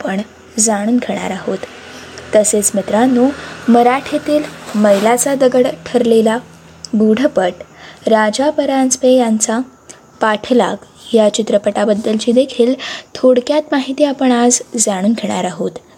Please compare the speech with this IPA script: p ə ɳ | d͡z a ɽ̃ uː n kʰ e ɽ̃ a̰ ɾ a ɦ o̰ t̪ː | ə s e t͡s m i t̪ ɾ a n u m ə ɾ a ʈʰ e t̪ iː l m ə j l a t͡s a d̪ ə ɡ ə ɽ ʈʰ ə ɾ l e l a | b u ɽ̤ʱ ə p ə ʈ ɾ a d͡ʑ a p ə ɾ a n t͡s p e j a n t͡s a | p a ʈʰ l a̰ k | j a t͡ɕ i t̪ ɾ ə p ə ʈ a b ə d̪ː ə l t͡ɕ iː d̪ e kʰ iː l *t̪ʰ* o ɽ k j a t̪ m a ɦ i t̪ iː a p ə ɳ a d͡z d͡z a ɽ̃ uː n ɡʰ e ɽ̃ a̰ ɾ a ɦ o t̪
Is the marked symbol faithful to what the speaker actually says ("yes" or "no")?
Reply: yes